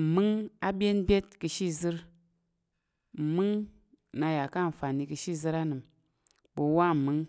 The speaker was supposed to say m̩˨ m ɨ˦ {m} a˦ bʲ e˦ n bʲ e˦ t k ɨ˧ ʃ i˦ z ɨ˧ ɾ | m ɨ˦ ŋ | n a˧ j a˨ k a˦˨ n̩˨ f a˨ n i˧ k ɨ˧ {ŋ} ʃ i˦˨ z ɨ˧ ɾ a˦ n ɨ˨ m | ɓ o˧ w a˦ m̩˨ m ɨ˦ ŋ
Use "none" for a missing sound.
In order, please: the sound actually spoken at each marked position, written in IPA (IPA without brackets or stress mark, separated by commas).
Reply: ŋ, none